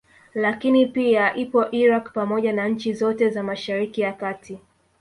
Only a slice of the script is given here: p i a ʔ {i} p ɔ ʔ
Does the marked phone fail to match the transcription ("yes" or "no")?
no